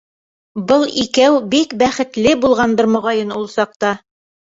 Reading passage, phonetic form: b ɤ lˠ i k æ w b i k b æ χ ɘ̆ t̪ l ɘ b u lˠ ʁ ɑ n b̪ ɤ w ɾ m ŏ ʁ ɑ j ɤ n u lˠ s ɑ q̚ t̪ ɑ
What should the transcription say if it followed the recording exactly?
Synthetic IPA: b ɤ lˠ i k æ w b i k b æ χ ɘ̆ t̪ l ɘ b u lˠ ʁ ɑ n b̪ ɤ ɾ m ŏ ʁ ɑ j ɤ n u lˠ s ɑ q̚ t̪ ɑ